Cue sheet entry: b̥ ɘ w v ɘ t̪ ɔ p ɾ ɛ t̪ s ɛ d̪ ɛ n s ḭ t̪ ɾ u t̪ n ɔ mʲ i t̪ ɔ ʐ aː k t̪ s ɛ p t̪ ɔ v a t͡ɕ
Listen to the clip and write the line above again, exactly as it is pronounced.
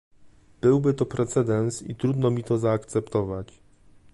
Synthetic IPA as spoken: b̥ ɘ w b ɘ t̪ ɔ p ɾ ɛ t̪ s ɛ d̪ ɛ n s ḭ t̪ ɾ u d̪ n ɔ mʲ i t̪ ɔ z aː k t̪ s ɛ p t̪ ɔ v a t͡ɕ

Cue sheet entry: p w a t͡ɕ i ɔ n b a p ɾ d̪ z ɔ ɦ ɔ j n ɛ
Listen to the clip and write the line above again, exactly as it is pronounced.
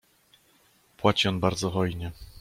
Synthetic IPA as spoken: p w a t͡ɕ i ɔ n b a ɾ d̪ z ɔ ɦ ɔ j ɲ ɛ

